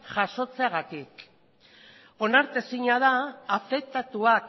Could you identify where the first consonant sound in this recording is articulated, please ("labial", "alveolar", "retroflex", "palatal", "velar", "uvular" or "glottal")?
palatal